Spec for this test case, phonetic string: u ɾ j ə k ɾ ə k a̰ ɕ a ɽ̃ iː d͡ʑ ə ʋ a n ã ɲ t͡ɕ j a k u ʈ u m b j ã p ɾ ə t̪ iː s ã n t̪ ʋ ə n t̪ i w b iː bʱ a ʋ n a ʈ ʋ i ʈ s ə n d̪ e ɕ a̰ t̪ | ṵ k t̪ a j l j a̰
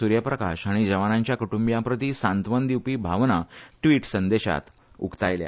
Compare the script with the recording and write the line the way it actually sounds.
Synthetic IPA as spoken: u ɾ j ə p ɾ ə k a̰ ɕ a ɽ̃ i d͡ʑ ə ʋ a n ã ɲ t͡ɕ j a k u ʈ u m b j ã p ɾ ə t̪ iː s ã n t̪ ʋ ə n d̪ i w p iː bʱ a ʋ n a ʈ ʋ i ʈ s ə n d̪ e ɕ a̰ t̪ | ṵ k t̪ a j l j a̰